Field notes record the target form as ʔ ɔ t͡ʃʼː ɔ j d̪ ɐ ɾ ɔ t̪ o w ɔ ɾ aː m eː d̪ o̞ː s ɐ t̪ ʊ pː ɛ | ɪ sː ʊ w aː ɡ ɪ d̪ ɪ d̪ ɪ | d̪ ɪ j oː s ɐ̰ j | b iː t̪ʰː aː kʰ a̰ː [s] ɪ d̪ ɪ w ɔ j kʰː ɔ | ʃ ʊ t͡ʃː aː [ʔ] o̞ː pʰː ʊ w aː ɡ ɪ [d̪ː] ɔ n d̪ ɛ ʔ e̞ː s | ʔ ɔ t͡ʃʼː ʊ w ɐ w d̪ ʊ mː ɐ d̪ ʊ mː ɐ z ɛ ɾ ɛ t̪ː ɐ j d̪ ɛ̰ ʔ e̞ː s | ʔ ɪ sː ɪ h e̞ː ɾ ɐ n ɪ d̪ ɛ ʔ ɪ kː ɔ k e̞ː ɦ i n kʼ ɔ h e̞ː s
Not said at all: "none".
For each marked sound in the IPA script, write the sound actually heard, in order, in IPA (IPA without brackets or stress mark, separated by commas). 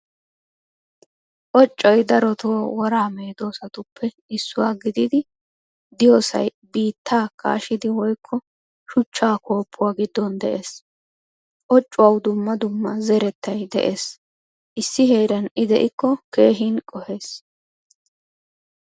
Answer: ʃ, k, d̪ː